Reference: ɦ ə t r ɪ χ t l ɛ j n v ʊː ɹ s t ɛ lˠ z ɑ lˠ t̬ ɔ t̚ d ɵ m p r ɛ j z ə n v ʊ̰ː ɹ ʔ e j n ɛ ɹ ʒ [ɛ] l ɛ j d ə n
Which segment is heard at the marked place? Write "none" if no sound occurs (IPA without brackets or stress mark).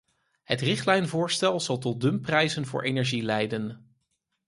i